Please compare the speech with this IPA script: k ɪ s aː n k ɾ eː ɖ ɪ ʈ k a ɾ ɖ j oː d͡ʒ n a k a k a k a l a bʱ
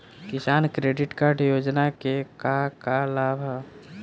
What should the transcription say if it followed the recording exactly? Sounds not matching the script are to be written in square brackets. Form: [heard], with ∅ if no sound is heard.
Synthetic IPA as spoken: k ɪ s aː n k ɾ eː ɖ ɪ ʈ k a ɾ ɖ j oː d͡ʒ n a k [e] k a k a l a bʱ

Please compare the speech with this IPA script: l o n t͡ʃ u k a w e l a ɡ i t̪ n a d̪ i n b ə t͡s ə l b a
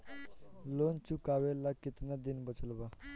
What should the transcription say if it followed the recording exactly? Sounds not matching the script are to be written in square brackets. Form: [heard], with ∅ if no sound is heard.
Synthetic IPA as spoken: l o n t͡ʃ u k a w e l a [k] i t̪ n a d̪ i n b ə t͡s ə l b a

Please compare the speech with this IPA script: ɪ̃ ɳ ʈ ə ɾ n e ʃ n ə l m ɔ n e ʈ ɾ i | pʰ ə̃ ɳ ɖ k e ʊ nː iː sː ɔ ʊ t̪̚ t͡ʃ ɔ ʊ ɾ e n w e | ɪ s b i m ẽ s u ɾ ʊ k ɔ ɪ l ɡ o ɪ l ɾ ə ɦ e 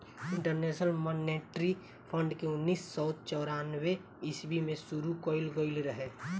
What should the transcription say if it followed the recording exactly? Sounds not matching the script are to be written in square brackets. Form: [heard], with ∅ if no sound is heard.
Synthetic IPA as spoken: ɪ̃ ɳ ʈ ə ɾ n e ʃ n ə l m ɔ n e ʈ ɾ i | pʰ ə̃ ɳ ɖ k e ʊ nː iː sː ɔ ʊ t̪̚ t͡ʃ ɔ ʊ ɾ [a] n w e | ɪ s b i m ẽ s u ɾ [u] k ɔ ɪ l ɡ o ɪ l ɾ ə ɦ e

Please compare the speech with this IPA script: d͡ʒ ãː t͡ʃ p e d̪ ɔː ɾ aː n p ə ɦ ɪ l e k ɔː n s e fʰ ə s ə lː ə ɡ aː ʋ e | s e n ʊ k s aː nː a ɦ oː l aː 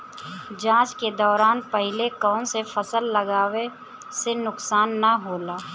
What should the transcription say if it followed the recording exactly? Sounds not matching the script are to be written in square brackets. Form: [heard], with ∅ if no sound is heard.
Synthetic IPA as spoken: d͡ʒ ãː t͡ʃ [k] e d̪ ɔː ɾ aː n p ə ɦ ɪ l e k ɔː n s e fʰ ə s ə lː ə ɡ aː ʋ e | s e n ʊ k s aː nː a ɦ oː l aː

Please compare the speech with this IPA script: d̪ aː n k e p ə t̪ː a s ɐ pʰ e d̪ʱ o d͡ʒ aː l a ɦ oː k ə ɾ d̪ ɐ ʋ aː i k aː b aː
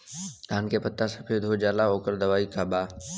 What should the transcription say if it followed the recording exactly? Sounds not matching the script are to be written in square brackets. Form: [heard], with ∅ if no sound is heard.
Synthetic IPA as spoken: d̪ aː n k e p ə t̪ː a s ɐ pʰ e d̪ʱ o d͡ʒ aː l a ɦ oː k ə ɾ d̪ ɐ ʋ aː i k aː b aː

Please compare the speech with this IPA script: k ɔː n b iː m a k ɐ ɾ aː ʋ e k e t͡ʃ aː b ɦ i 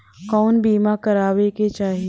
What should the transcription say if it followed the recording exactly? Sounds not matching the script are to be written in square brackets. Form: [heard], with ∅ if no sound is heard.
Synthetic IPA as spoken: k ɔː n b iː m a k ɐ ɾ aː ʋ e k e t͡ʃ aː [∅] ɦ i

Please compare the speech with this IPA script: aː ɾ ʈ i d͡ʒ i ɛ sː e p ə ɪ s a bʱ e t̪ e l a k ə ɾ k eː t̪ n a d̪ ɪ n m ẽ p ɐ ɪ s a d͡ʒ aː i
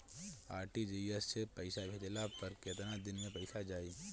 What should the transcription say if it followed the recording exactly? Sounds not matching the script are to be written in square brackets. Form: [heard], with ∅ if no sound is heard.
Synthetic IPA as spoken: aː ɾ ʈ i d͡ʒ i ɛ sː e p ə ɪ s a bʱ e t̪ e l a [p] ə ɾ k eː t̪ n a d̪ ɪ n m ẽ p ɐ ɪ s a d͡ʒ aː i

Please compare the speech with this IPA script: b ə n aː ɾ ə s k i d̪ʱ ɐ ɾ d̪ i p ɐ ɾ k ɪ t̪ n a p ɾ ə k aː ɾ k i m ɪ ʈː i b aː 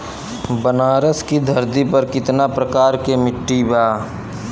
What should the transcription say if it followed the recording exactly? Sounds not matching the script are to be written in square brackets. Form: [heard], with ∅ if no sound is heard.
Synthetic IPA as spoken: b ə n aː ɾ ə s k i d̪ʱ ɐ ɾ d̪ i p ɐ ɾ k ɪ t̪ n a p ɾ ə k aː ɾ k [e] m ɪ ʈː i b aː

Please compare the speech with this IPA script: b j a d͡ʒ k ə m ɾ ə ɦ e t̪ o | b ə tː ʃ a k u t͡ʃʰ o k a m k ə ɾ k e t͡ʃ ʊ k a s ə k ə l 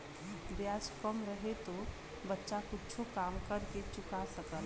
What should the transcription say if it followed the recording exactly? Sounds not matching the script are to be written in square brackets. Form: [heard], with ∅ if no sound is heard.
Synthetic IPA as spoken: b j a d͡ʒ k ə m ɾ ə ɦ e t̪ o | b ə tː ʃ a k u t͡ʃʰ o k a m k ə ɾ k e t͡ʃ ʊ k a s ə k ə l

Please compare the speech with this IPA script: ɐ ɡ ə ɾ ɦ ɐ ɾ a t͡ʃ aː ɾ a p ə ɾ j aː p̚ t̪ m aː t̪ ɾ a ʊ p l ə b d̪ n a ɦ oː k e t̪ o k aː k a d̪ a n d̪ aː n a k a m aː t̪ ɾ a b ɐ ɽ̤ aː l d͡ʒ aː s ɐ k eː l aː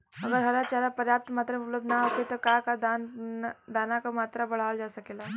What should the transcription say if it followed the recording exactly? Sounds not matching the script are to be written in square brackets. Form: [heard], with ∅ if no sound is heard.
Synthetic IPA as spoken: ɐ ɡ ə ɾ ɦ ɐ ɾ a t͡ʃ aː ɾ a p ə ɾ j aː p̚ t̪ m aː t̪ ɾ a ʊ p l ə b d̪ n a ɦ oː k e t̪ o k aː k a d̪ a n d̪ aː n a k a m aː t̪ ɾ a b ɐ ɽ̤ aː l d͡ʒ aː s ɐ k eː l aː

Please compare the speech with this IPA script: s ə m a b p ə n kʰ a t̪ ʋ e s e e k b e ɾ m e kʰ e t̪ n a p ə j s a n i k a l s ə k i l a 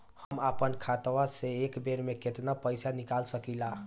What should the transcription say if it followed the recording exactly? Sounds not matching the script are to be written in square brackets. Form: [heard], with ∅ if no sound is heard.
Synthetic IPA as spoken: [h] ə m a [∅] p ə n kʰ a t̪ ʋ [a] s e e k b e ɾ m e [k] e t̪ n a p ə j s a n i k a l s ə k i l a

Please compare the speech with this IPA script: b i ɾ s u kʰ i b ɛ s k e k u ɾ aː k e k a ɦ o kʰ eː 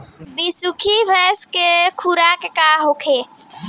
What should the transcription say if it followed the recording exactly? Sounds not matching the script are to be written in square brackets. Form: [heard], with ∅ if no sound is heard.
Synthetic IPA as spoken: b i [∅] s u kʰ i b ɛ s k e [kʰ] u ɾ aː k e k a ɦ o kʰ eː

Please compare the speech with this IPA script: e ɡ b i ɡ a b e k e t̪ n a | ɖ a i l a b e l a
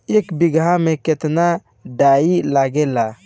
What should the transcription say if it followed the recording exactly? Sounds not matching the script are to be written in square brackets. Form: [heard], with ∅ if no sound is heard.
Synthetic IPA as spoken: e [k] b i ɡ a [m] e k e t̪ n a | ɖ a i l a [ɡ] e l a

